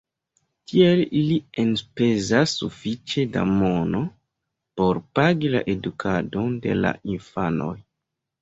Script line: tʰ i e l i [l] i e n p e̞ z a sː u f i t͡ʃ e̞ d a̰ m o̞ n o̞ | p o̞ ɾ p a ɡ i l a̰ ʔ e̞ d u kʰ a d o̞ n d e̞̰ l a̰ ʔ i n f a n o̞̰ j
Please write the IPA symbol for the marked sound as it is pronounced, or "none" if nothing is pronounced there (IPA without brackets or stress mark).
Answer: l